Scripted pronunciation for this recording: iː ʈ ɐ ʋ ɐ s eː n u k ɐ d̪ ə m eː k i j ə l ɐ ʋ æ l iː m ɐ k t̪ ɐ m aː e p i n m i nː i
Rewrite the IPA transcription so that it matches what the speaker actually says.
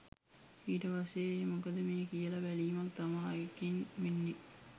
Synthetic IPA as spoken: iː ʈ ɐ ʋ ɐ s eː m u k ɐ d̪ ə m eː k i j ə l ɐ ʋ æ l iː m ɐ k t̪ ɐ m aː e k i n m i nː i

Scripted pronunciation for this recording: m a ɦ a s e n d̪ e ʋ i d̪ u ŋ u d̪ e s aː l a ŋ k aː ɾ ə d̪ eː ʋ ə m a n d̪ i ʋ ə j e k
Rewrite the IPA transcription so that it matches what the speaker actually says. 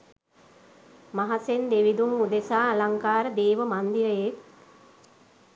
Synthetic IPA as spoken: m a ɦ a s e n d̪ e ʋ i d̪ u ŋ u d̪ e s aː l a ŋ k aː ɾ ə d̪ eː ʋ ə m a n d̪ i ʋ ə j e k

